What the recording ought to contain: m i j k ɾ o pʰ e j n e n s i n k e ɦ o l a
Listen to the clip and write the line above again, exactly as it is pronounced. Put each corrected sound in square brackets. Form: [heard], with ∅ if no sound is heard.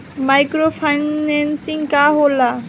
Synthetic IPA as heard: m [a] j k ɾ o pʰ [a] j n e n s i [ŋ] k [a] ɦ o l a